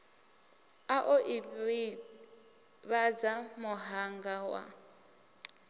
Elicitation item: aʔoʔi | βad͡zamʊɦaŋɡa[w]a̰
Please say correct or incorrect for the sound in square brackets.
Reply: correct